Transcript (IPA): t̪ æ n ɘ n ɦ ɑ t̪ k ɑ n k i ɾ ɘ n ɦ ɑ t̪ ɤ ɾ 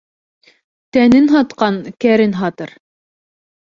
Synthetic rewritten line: t̪ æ n ɘ n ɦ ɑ t̪ q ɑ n k æ ɾ ɘ n ɦ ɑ t̪ ɤ ɾ